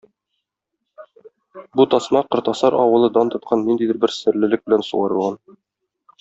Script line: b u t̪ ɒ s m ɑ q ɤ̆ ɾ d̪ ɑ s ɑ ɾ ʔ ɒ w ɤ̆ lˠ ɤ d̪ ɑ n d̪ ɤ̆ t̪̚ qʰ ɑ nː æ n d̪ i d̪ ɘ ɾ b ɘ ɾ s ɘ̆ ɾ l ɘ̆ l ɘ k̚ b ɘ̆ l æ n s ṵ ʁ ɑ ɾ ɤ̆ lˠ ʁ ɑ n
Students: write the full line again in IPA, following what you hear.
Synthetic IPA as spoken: b u t̪ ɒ s m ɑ q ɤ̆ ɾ t̪ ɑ s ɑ ɾ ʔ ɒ w ɤ̆ lˠ ɤ d̪ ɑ n t̪ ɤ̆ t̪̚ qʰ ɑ nː i n d̪ i d̪ ɘ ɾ b ɘ ɾ s ɘ̆ ɾ l ɘ̆ l ɘ k̚ b ɘ̆ l æ n s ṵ ʁ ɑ ɾ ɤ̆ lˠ ʁ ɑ n